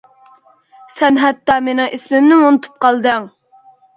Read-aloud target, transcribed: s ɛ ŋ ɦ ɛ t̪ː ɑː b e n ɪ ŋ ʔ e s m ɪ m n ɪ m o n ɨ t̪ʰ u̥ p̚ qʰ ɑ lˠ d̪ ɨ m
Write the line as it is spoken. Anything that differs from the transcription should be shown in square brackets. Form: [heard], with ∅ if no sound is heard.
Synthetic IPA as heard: s ɛ [n] ɦ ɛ t̪ː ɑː [m] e n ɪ ŋ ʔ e s m ɪ m n ɪ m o n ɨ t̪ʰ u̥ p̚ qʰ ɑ lˠ d̪ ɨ [ŋ]